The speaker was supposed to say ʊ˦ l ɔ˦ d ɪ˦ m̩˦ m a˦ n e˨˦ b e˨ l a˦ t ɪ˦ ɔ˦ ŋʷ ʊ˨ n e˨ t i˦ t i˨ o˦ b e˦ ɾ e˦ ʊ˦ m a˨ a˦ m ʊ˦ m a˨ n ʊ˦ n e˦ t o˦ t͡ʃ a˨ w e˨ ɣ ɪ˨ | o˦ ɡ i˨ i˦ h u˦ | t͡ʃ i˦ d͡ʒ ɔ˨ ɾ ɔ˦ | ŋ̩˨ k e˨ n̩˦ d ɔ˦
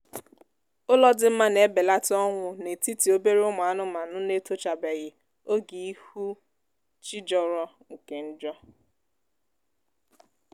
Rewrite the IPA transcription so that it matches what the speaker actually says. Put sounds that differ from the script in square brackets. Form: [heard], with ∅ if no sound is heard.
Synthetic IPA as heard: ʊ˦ l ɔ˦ d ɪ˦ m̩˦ m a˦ n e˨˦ b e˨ l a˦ t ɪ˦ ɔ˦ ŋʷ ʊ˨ n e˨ t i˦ t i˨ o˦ b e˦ ɾ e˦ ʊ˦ m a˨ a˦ [n] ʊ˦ m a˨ n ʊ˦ n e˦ t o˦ t͡ʃ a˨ [b] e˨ ɣ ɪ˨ | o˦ ɡ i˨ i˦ h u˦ | t͡ʃ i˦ d͡ʒ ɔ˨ ɾ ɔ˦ | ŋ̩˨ k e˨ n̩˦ [d͡ʒ] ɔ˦